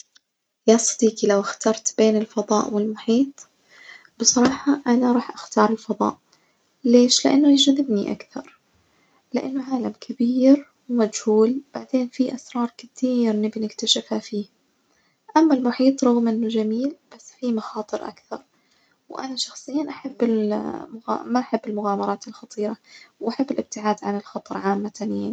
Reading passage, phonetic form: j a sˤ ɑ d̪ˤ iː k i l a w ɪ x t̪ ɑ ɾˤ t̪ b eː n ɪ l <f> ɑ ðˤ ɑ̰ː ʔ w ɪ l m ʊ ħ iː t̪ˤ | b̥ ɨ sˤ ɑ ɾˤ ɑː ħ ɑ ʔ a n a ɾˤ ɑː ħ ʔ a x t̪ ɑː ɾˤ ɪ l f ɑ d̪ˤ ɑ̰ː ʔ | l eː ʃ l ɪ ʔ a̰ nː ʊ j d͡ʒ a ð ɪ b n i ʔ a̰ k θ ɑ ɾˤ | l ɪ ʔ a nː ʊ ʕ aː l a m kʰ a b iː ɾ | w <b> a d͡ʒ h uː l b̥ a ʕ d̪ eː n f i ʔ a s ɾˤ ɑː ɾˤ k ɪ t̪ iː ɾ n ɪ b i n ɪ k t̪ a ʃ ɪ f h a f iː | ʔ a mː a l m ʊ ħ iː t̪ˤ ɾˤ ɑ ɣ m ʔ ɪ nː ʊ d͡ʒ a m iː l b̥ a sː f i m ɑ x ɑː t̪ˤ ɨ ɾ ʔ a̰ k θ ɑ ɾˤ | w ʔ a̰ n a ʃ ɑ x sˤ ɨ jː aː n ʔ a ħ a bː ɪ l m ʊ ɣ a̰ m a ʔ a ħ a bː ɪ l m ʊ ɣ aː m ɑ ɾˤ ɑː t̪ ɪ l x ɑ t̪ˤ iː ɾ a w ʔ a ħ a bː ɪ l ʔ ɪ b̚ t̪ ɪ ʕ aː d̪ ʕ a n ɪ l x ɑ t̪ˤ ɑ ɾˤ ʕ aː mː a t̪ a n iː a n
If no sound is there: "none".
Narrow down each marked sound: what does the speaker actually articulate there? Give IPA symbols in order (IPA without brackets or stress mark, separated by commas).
f, m